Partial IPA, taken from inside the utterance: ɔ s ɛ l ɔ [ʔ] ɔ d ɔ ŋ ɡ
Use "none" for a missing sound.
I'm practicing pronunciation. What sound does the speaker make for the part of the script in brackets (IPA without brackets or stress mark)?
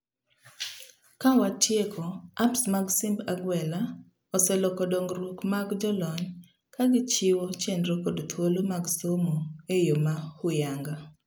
k